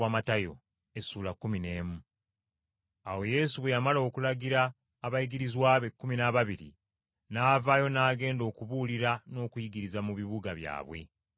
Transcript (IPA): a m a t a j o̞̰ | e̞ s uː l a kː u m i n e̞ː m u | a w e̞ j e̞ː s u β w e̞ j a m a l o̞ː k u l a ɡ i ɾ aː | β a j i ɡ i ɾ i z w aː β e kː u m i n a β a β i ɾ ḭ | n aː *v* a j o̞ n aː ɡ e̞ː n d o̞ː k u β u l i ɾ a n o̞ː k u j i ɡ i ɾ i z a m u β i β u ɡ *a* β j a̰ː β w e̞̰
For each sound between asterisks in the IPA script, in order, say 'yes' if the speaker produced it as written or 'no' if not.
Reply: yes, yes

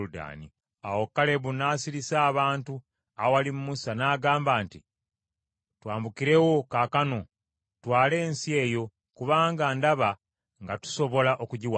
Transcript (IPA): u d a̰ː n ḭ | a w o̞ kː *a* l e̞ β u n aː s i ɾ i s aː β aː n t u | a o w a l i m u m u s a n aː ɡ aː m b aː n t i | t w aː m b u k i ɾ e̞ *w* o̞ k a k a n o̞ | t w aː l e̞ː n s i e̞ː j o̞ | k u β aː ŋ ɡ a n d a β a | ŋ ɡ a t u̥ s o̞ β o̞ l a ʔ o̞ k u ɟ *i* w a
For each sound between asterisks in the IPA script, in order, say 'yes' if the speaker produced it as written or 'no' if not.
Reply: yes, yes, yes

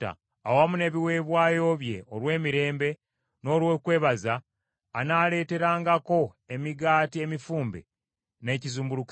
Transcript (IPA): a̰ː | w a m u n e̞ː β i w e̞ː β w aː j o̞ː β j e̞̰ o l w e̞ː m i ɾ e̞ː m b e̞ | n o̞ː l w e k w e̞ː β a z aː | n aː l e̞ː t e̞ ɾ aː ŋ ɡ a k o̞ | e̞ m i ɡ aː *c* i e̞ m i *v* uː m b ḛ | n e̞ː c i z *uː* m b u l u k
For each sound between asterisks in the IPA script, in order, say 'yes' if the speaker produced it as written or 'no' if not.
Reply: no, no, yes

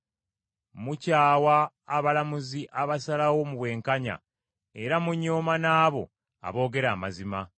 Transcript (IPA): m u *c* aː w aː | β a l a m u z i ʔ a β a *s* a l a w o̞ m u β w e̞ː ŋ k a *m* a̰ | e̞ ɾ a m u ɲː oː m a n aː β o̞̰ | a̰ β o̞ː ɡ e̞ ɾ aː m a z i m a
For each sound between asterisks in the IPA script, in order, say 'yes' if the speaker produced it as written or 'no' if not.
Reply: yes, yes, no

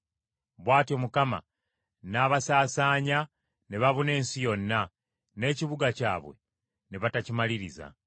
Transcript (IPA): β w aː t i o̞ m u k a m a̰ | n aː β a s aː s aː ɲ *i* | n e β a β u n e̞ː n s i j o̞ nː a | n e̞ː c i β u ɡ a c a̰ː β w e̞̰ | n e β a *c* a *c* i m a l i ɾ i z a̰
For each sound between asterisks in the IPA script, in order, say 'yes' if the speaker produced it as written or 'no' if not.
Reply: no, no, yes

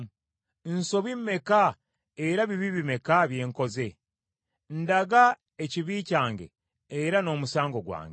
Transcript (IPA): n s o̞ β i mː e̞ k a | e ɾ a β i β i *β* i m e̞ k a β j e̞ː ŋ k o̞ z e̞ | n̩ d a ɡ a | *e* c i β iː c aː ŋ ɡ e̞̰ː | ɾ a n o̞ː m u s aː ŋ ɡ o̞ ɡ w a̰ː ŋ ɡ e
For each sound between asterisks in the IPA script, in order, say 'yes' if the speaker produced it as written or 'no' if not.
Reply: yes, yes

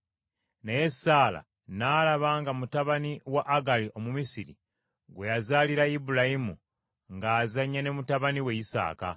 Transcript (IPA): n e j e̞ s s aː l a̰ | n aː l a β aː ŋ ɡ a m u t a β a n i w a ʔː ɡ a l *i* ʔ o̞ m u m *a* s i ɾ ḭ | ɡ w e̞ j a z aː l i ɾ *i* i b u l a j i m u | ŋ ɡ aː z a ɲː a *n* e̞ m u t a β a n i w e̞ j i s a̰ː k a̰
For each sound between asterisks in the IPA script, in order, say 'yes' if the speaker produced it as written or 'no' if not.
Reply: yes, no, no, yes

